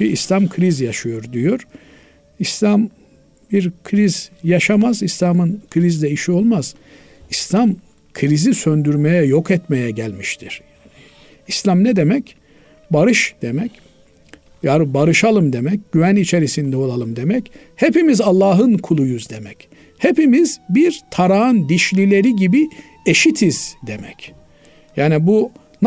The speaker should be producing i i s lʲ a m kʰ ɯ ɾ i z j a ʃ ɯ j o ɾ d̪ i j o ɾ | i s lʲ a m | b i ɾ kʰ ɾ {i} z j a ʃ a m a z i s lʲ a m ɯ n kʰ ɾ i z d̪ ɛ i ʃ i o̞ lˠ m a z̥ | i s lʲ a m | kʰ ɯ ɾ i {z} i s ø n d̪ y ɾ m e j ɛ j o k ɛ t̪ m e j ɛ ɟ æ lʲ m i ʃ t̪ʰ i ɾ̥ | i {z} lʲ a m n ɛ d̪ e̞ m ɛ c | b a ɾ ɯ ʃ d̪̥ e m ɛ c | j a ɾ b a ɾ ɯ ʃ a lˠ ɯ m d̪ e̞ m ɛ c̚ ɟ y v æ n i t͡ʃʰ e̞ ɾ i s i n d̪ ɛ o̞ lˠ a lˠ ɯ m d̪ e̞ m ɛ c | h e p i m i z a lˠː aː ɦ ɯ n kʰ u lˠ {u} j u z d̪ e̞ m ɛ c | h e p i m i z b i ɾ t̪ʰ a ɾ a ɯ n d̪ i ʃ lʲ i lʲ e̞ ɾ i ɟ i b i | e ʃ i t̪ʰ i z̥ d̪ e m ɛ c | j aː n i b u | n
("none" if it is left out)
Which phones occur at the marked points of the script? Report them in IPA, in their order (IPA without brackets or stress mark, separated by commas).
i, z, s, u